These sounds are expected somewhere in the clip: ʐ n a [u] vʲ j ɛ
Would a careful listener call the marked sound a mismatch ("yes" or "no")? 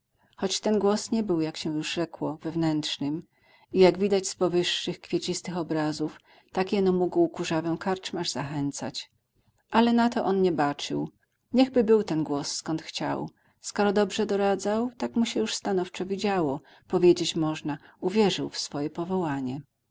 no